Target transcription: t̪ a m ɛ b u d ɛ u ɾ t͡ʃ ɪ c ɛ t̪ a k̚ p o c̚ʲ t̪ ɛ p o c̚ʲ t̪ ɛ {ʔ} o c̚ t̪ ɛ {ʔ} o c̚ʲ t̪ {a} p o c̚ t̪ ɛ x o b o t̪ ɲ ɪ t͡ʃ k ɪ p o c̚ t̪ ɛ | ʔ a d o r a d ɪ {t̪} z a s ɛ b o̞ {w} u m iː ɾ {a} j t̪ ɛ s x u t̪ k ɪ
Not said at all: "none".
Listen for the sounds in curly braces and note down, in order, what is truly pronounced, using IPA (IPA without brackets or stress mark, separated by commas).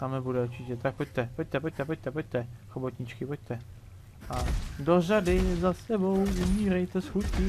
p, p, ɛ, none, w, ɛ